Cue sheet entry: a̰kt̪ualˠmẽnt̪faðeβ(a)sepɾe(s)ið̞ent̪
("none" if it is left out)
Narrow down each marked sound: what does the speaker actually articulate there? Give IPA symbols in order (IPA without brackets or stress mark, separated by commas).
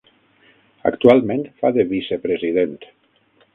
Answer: i, z